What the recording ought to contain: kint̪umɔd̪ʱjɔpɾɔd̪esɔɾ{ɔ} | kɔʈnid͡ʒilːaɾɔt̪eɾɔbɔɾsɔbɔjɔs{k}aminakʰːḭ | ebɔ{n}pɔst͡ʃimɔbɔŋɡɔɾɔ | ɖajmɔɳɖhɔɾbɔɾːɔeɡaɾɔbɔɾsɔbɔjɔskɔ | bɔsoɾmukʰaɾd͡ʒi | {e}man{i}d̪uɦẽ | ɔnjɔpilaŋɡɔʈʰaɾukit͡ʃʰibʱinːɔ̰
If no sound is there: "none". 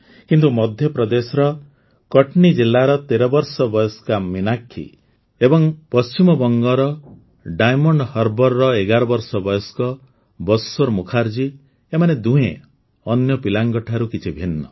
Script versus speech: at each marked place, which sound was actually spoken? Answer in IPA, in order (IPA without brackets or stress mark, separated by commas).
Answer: ɔ, k, ŋ, e, e